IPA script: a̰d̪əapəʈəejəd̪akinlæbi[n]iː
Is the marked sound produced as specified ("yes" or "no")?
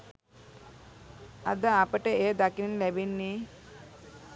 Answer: no